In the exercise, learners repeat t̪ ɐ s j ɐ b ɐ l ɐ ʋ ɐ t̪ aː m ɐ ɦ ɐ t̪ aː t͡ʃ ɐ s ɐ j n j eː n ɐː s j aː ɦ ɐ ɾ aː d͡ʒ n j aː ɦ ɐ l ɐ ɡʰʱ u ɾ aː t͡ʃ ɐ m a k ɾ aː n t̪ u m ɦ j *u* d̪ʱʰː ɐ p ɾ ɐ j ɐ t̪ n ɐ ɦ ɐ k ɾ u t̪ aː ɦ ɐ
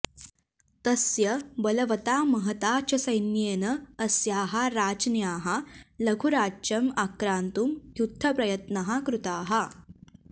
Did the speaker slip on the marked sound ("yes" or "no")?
no